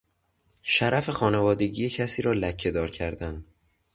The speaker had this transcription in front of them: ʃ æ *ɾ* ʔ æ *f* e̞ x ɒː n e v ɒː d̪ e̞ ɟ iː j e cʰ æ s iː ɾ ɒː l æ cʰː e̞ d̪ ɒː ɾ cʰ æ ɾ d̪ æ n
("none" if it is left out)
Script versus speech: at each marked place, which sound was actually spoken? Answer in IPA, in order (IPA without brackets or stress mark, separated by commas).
ɾ, f